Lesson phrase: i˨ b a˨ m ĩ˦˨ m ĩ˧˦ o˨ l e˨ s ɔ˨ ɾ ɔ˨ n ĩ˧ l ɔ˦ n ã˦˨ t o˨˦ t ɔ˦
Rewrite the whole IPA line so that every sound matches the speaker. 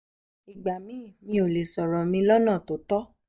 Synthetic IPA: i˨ ɡ͡b a˨ m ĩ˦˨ m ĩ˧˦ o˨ l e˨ s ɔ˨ ɾ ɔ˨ m ĩ˧ l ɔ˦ n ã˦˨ t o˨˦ t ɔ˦

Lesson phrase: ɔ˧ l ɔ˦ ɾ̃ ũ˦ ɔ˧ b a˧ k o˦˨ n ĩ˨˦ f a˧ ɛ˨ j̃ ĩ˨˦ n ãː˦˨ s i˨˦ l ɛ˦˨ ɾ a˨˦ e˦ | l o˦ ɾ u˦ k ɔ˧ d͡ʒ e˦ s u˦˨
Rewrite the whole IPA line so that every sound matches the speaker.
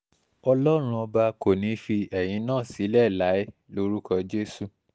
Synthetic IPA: ɔ˧ l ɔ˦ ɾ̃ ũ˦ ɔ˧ b a˧ k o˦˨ n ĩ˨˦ f i˧ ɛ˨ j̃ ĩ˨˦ n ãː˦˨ s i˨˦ l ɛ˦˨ l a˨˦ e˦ | l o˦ ɾ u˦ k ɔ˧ d͡ʒ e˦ s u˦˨

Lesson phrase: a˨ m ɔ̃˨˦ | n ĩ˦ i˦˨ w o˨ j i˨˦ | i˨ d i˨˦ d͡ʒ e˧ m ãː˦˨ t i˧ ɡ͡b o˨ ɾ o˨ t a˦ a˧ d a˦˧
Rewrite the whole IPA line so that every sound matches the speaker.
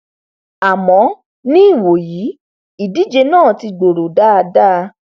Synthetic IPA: a˨ m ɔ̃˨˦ | n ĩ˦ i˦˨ w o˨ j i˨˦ | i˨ d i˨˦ d͡ʒ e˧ n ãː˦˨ t i˧ ɡ͡b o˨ ɾ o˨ d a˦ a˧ d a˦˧

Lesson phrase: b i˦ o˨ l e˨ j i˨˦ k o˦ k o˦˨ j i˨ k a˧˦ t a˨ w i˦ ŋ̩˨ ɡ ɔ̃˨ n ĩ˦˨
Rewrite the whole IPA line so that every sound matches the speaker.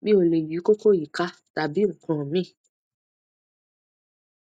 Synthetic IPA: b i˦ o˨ l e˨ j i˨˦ k o˦ k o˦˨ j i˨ k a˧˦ t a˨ b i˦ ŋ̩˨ k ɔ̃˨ m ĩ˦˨

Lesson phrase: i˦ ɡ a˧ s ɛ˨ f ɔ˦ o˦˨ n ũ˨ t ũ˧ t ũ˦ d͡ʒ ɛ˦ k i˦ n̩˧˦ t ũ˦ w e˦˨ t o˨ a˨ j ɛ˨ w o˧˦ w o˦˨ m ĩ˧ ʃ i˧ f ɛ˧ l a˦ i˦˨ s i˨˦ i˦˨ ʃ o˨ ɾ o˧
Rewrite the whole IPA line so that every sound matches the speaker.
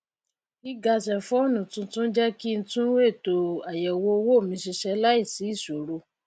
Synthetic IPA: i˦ ɡ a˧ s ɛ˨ f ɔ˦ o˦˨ n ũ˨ t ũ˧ t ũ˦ d͡ʒ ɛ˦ k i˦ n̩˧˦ t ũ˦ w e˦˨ t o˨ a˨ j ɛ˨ w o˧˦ w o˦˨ m ĩ˧ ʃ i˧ ʃ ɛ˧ l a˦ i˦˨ s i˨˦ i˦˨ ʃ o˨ ɾ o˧

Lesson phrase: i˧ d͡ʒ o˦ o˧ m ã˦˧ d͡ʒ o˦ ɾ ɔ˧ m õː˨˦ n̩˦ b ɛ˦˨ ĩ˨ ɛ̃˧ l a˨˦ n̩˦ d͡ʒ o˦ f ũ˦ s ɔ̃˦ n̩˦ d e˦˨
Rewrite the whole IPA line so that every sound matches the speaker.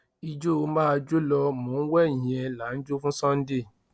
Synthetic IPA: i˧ d͡ʒ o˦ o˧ m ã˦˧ d͡ʒ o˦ l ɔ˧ m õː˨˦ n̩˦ w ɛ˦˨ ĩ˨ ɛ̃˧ l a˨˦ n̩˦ d͡ʒ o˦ f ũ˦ s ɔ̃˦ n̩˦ d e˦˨

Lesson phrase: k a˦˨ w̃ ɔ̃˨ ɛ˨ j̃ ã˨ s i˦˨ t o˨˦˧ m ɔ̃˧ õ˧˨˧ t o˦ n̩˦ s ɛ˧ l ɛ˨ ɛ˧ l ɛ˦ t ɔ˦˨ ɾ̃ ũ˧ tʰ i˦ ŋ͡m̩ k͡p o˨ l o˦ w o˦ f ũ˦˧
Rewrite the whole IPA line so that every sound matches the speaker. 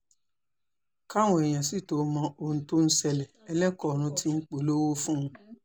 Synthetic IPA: k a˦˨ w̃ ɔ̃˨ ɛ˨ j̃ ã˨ s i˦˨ t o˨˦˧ m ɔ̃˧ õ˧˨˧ t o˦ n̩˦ s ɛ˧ l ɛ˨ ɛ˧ l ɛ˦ k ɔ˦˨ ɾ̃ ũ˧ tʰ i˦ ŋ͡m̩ k͡p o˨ l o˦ w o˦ f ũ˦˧

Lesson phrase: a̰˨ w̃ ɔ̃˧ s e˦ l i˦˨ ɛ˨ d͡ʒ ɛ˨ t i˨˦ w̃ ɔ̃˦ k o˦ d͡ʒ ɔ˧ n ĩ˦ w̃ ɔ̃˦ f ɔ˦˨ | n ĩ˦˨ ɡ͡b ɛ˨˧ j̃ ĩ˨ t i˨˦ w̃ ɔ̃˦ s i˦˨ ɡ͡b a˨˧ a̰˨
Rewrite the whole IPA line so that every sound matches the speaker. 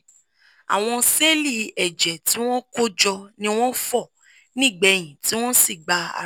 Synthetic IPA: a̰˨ w̃ ɔ̃˧ s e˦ l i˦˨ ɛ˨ d͡ʒ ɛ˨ t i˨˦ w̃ ɔ̃˦ k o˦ d͡ʒ ɔ˧ n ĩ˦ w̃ ɔ̃˦ f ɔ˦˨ | n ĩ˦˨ ɡ͡b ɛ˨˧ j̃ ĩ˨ t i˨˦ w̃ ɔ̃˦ s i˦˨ ɡ͡b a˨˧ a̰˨

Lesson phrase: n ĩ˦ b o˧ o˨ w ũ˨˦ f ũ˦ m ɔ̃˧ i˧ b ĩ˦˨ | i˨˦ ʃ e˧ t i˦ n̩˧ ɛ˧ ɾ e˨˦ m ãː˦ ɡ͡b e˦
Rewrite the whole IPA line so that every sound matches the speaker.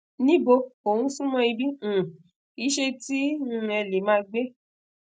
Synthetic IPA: n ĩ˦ b o˧ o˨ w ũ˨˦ s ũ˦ m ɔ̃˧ i˧ b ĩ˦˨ | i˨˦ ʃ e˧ t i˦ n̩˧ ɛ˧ l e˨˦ m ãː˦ ɡ͡b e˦

